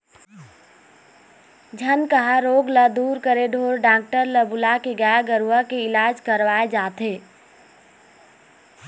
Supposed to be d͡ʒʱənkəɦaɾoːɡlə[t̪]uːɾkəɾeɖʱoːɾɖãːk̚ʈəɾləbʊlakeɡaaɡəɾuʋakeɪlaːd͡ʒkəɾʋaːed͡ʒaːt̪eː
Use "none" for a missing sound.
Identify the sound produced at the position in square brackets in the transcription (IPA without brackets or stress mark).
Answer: d̪